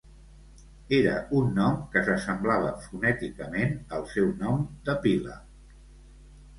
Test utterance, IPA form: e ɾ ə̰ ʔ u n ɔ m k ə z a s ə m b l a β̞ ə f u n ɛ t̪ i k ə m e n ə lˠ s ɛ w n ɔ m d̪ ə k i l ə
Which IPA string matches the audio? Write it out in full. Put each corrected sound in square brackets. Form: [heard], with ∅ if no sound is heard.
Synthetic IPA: e ɾ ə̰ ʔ u [nː] ɔ m k ə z [ə] s ə m b l a β̞ ə f u n ɛ t̪ i k ə m e n ə lˠ s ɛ w n ɔ m d̪ ə [p] i l ə